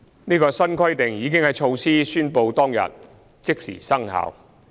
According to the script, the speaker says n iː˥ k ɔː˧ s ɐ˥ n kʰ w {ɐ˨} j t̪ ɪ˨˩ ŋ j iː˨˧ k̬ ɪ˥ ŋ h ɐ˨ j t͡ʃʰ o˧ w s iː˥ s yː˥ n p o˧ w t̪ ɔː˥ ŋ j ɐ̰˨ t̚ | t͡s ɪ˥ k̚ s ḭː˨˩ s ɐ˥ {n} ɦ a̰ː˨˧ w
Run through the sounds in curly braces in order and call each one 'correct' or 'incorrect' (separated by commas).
incorrect, incorrect